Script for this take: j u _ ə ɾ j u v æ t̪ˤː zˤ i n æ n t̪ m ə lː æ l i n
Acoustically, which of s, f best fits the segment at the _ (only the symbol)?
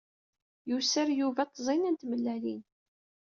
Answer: s